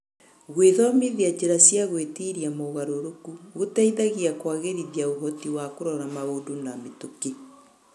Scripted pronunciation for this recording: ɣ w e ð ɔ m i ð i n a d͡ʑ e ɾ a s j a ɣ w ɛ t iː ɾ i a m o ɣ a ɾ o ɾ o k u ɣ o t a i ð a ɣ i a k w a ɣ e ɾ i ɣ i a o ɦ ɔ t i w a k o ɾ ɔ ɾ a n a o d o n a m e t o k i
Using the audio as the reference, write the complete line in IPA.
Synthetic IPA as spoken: ɣ w e ð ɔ m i ð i a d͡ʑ e ɾ a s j a ɣ w e t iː ɾ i a m o ɣ a ɾ o ɾ o k u ɣ o t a i ð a ɣ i a k w a ɣ e ɾ i ð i a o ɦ ɔ t i w a k o ɾ ɔ ɾ a m a o d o n a m e t o k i